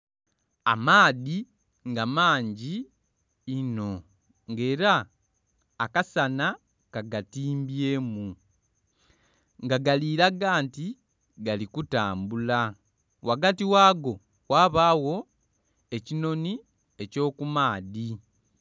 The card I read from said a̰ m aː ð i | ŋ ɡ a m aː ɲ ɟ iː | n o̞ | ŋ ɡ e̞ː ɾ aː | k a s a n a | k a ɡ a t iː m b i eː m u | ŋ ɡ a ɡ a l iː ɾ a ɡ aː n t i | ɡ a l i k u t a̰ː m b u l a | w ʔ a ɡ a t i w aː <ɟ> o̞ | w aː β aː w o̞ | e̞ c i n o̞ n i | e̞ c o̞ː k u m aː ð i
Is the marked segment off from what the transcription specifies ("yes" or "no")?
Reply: yes